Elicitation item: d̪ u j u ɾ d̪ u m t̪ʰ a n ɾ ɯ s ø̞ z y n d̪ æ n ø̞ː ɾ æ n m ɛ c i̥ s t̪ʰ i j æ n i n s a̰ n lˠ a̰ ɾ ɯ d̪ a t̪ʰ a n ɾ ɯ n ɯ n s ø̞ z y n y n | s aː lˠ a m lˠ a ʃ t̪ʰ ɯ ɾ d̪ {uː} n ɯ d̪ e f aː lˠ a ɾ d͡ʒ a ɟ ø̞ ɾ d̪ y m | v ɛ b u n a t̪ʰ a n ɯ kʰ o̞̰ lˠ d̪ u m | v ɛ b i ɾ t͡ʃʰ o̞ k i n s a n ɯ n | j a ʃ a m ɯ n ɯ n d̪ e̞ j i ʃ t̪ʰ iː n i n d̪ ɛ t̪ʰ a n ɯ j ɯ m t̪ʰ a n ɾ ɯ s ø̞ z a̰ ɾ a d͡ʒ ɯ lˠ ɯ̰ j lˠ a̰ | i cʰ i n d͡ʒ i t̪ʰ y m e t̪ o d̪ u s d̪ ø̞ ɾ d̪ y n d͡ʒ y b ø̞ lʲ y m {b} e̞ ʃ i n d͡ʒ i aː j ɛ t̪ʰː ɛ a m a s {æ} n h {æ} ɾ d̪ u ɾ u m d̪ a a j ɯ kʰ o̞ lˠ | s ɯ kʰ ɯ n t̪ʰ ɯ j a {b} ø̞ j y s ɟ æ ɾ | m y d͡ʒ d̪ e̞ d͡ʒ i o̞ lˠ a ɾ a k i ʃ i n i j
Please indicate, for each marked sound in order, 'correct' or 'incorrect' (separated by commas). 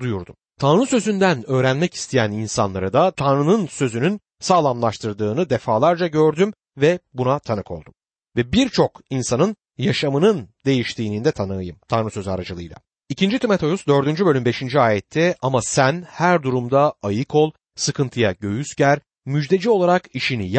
incorrect, correct, correct, correct, incorrect